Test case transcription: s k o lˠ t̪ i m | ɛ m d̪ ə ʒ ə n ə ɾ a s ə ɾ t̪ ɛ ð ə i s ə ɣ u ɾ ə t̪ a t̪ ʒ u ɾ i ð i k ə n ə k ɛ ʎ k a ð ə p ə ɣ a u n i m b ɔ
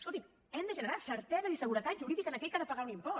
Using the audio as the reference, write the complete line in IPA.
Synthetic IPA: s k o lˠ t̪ i m | ɛ m d̪ ə ʒ ə n ə ɾ a s ə ɾ t̪ ɛ z ə i s ə ɣ u ɾ ə t̪ a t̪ ʒ u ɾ i ð i k ə n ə k ɛ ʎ k a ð ə p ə ɣ a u n i m p ɔ